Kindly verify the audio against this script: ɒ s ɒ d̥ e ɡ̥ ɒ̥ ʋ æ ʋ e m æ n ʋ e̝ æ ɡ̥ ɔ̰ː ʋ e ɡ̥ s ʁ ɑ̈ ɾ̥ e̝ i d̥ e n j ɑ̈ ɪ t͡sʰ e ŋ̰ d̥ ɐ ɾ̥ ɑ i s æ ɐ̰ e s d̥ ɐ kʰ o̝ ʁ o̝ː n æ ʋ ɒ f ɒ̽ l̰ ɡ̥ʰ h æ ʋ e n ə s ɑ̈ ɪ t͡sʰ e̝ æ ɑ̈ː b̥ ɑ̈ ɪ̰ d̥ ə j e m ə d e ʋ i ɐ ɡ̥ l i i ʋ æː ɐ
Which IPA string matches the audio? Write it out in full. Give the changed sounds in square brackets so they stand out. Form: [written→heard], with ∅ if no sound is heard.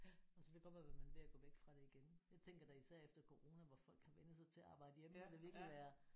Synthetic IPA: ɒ s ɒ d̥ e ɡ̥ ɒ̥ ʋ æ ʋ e m æ n ʋ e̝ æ ɡ̥ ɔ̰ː ʋ e ɡ̥ [s→f] ʁ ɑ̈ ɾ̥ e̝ i [d̥→ɡ̥] e n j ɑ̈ ɪ t͡sʰ e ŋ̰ [d̥→ɡ̥] ɐ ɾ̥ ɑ i s æ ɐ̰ e [s→f] d̥ ɐ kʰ o̝ ʁ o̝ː n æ ʋ ɒ f ɒ̽ l̰ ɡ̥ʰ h æ ʋ e n ə s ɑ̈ ɪ t͡sʰ e̝ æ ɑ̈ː b̥ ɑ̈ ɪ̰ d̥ ə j e m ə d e ʋ i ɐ ɡ̥ l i i ʋ æː ɐ